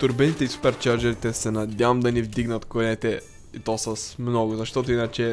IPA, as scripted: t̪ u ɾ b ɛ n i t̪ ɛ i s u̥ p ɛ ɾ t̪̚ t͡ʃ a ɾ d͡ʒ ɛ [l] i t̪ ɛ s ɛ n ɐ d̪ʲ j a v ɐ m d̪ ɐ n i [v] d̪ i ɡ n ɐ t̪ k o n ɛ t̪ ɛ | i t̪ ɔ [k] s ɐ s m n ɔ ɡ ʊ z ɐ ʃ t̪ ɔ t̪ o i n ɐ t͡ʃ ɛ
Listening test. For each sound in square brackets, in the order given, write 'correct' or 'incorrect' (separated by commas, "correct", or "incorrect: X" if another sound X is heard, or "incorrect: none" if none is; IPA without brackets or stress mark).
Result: incorrect: ɾ, correct, incorrect: none